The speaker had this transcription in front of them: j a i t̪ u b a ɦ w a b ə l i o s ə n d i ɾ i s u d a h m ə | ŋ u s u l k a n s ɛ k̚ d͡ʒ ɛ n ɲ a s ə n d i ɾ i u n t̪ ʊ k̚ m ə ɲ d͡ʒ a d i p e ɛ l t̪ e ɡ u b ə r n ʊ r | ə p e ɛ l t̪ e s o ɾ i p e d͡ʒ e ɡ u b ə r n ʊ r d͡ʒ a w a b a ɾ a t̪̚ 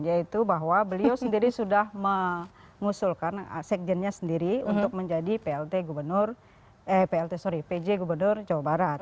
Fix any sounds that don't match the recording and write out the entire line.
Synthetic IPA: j a i t̪ u b a ɦ w a b ə l i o s ə n d i ɾ i s u d a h m ə | ŋ u s u l k a n s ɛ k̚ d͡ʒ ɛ n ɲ a s ə n d i ɾ i u n t̪ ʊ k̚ m ə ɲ d͡ʒ a d i p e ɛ l t̪ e ɡ u b ə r n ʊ r | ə p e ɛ l t̪ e s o ɾ i p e d͡ʒ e ɡ u b ə r n ʊ r d͡ʒ a w a b a ɾ a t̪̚